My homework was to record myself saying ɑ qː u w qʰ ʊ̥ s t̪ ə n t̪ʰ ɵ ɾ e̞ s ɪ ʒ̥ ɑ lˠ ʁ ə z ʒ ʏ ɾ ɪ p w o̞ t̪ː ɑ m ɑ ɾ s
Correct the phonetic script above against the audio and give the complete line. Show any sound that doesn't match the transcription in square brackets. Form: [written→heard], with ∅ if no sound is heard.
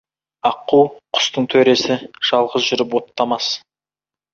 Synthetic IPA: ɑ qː u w qʰ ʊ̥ s t̪ ə [n→ɴ] t̪ʰ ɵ ɾ e̞ s ɪ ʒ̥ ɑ lˠ ʁ ə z ʒ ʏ ɾ ɪ p w o̞ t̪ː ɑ m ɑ [ɾ→∅] s

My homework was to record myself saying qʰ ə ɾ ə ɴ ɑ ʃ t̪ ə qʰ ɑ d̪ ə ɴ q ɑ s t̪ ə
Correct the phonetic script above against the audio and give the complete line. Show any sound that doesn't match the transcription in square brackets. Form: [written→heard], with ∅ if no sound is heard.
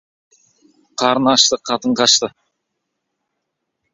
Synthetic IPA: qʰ [ə→ɑ] ɾ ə [ɴ→n] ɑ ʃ t̪ ə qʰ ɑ [d̪→t̪] ə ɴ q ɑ [s→ʃ] t̪ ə

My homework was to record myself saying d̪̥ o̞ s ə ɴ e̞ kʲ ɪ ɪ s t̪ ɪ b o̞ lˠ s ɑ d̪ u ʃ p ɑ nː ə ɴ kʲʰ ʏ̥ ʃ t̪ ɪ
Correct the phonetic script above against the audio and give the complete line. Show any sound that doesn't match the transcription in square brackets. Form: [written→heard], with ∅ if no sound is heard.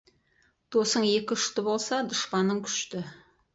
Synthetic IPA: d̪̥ o̞ s ə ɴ e̞ kʲ ɪ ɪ [s→ʃ] t̪ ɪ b o̞ lˠ s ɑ d̪ [u→ʊ] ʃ p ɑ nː ə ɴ kʲʰ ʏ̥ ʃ t̪ ɪ

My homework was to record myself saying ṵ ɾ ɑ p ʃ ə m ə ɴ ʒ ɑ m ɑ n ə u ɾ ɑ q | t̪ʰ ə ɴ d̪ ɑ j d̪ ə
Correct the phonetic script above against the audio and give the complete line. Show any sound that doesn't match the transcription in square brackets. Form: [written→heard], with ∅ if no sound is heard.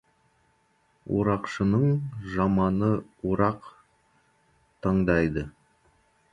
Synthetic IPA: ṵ ɾ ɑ [p→q] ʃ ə [m→n] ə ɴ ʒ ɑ m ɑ n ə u ɾ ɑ q | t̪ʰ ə ɴ d̪ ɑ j d̪ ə

